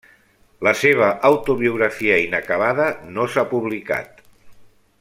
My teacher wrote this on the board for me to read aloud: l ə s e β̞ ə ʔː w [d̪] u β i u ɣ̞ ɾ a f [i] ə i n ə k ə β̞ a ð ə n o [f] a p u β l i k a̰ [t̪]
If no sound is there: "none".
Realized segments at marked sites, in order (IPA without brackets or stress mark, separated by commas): t̪, i, s, t̪